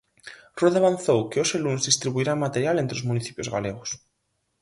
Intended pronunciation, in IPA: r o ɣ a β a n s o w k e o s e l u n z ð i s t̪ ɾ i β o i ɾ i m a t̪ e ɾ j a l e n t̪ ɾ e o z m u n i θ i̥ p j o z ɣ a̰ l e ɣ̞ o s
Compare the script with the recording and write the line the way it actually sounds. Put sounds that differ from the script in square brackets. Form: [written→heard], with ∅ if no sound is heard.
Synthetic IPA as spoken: r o [ɣ→ð] a β a n [s→θ] o w k e o s e l u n z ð i s t̪ ɾ i β [o→u] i ɾ [i→a] m a t̪ e ɾ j a l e n t̪ ɾ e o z m u n i θ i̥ p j o z ɣ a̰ l e ɣ̞ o s